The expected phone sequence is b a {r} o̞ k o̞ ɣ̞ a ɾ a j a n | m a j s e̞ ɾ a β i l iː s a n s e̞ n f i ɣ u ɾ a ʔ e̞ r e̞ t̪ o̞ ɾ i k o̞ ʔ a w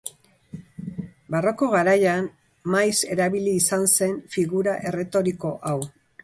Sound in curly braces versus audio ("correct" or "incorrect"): correct